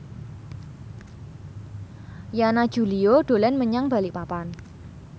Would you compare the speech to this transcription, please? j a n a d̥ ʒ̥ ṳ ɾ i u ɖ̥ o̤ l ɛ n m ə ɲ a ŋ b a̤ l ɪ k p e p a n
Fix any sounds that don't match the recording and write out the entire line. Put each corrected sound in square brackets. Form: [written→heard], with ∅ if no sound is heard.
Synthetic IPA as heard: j a n a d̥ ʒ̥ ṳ [ɾ→l] i [u→o] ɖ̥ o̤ l ɛ n m ə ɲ a ŋ b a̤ l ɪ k p [e→a] p a n